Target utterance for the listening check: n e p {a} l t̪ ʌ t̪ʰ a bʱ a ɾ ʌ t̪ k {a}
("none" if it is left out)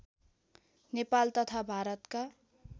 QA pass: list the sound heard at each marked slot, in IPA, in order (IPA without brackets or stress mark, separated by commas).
a, a